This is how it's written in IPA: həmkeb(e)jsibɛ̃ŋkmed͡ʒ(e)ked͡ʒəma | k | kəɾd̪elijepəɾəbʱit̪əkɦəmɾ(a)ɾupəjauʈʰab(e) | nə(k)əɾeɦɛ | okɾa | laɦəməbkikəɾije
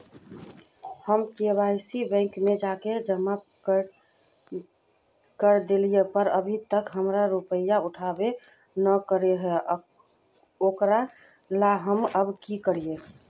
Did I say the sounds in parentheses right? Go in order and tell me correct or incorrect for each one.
incorrect: a, incorrect: a, correct, correct, correct

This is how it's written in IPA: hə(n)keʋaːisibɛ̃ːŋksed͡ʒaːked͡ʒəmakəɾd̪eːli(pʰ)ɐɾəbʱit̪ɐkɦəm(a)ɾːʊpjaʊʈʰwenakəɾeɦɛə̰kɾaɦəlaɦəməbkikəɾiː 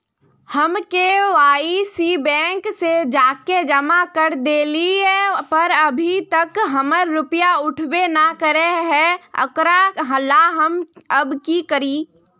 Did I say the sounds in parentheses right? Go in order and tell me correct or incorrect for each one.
incorrect: m, incorrect: p, incorrect: ə

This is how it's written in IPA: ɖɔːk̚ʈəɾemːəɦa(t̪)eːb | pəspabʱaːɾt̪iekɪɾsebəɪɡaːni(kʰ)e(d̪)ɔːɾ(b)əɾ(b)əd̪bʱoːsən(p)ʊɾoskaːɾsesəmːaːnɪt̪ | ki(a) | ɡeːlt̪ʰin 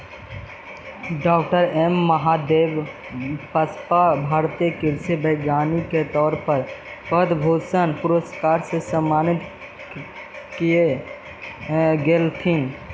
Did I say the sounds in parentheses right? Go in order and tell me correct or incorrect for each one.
incorrect: d̪, incorrect: k, incorrect: t̪, incorrect: p, incorrect: p, correct, incorrect: e

